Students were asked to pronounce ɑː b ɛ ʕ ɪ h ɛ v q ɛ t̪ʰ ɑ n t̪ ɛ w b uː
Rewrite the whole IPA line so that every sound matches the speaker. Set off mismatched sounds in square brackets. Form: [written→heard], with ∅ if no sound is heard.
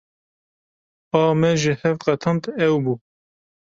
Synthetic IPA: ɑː [b→m] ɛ [ʕ→ʒ] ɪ h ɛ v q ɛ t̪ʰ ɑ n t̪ ɛ w b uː